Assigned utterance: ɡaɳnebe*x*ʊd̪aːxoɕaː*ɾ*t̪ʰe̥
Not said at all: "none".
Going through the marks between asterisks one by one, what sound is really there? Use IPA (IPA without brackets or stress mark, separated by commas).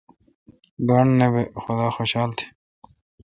x, l